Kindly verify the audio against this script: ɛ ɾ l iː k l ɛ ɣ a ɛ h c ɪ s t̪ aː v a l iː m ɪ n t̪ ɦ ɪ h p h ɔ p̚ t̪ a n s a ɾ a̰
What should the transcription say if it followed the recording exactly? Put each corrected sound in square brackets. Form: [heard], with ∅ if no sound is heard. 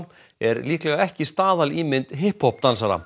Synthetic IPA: ɛ ɾ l iː k l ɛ ɣ a ɛ h c ɪ s t̪ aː [ð] a l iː m ɪ n t̪ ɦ ɪ h p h ɔ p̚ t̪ a n s a ɾ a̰